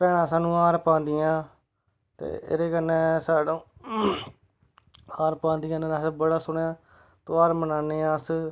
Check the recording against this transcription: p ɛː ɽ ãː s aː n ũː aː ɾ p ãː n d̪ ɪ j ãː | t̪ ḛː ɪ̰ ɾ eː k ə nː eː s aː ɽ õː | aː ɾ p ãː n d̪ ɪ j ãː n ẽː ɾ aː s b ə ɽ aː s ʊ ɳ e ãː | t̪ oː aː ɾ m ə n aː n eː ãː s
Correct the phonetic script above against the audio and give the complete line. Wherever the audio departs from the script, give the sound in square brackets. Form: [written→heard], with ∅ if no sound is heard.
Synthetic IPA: p ɛː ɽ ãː s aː n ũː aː ɾ p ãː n d̪ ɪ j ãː | t̪ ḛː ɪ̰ ɾ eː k ə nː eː s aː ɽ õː | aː ɾ p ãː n d̪ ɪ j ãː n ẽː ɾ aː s b ə ɽ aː s ʊ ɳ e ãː | t̪ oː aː ɾ m ə n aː n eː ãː s